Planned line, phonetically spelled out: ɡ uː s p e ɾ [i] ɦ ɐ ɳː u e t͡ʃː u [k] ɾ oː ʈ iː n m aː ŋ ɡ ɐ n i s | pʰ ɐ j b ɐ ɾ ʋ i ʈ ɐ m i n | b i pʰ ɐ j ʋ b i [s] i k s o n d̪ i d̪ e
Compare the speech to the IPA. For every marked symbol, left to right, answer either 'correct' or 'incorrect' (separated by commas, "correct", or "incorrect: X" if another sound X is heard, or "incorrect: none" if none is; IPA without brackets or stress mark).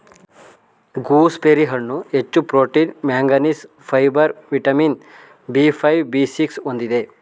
correct, incorrect: p, correct